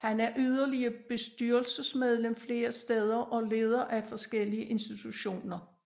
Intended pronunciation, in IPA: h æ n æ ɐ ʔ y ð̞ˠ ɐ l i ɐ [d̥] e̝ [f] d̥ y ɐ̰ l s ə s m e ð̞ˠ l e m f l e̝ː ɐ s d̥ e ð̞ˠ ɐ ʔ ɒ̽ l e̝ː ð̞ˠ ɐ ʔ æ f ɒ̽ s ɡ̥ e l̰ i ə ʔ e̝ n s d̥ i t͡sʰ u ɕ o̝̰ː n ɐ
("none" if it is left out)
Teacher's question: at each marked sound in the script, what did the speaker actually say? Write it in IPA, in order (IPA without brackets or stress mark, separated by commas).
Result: b̥, s